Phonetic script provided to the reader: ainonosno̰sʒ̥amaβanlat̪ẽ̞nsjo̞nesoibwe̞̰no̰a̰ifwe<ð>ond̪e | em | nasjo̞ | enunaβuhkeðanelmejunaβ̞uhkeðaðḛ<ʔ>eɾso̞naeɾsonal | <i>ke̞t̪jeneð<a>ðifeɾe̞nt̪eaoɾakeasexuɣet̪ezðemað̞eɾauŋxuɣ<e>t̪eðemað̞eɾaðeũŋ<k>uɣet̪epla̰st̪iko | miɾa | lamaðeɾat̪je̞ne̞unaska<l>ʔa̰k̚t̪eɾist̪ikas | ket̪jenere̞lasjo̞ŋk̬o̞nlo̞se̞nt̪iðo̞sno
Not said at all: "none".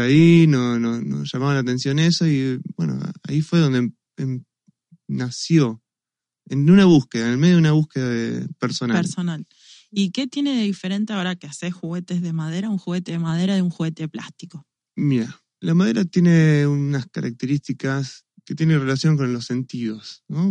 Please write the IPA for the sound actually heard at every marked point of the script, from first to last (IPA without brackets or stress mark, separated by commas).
ð, p, i, e, e, x, ɾ